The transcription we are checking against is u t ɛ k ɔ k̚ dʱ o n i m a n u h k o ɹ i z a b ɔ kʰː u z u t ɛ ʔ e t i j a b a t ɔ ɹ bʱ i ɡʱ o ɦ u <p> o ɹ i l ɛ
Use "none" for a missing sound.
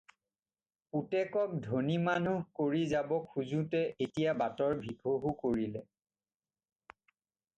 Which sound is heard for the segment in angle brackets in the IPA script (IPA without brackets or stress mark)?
k